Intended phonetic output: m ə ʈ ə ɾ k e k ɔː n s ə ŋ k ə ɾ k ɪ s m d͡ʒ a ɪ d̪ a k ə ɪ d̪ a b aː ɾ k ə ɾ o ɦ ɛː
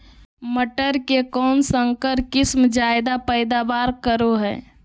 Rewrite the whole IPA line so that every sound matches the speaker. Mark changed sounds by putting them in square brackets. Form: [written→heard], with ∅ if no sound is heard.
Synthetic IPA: m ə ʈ ə ɾ k e k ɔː n s ə ŋ k ə ɾ k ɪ s m d͡ʒ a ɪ d̪ a [k→p] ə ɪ d̪ a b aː ɾ k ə ɾ o ɦ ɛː